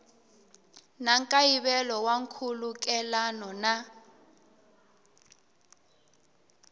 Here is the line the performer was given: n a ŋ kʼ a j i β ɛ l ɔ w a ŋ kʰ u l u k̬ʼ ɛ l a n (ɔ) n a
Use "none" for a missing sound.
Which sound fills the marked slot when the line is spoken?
ɔ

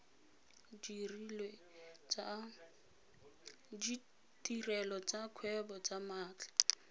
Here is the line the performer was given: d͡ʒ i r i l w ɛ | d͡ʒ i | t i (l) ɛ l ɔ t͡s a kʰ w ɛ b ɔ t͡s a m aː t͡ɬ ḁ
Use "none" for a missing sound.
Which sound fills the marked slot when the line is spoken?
r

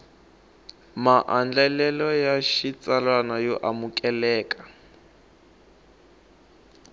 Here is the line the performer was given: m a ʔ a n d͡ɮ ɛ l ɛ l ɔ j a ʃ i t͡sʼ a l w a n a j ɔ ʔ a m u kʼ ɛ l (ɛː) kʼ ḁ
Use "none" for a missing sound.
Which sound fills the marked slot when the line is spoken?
ɛː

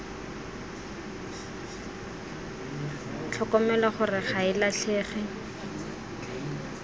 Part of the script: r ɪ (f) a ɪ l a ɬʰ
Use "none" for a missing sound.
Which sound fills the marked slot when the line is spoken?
χ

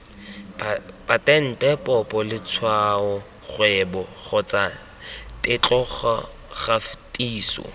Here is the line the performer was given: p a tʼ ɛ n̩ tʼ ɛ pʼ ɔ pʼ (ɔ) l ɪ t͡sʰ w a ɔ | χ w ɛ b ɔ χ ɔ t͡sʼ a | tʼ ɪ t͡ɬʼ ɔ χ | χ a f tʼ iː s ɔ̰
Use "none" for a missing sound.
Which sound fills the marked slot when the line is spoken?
ɔ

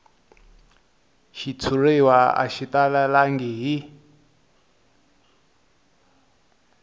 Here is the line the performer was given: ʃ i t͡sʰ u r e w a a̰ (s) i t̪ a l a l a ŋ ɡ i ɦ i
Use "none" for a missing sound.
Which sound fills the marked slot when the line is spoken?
ʃ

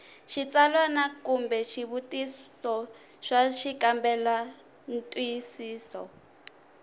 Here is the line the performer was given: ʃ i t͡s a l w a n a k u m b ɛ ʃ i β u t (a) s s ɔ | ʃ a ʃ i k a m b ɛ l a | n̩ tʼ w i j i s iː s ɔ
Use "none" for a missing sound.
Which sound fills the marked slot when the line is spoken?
i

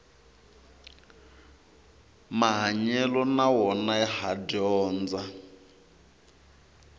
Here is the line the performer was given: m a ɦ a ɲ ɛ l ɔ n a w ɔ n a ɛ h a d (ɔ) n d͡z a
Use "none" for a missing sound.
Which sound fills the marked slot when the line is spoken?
ɔː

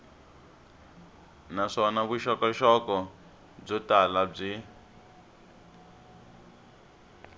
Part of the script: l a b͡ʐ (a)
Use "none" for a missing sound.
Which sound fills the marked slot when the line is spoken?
i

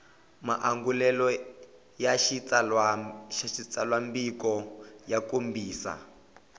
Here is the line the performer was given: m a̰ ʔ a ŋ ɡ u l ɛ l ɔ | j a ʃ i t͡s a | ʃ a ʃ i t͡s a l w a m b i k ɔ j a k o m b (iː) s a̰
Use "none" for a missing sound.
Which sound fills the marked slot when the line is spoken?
iː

